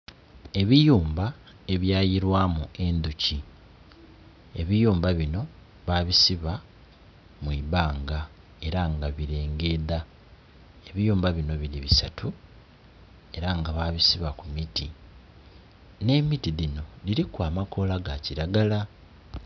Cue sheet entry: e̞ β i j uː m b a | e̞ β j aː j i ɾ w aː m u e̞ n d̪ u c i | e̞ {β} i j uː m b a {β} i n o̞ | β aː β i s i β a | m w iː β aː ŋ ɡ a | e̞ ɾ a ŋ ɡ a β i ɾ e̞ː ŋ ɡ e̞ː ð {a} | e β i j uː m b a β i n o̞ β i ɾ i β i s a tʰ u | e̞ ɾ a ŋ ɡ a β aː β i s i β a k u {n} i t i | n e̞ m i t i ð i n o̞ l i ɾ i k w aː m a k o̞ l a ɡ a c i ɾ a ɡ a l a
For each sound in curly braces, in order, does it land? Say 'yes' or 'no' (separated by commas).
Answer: yes, yes, yes, no